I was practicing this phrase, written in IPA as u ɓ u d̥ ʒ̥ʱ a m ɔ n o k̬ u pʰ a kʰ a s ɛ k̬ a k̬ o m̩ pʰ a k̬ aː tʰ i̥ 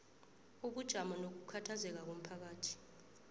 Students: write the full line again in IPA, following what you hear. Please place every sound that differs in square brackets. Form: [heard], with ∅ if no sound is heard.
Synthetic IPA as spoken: u ɓ u d̥ ʒ̥ʱ a m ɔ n o k̬ u [kʰ] a [tʰ] a [z] ɛ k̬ a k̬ o m̩ pʰ a k̬ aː tʰ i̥